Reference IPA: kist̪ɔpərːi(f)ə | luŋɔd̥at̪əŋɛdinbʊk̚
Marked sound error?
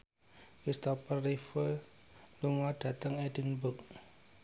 no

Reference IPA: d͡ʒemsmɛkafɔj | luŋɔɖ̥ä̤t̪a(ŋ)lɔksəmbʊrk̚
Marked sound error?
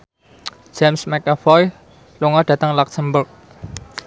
no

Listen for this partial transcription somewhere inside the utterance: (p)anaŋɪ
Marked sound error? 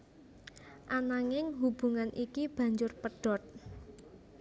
yes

